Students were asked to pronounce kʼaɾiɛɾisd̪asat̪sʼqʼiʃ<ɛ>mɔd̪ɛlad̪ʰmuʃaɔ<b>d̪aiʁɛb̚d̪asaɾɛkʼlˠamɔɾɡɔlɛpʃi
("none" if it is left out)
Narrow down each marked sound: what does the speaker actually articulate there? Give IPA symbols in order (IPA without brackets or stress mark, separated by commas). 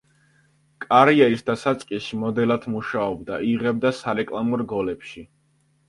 i, b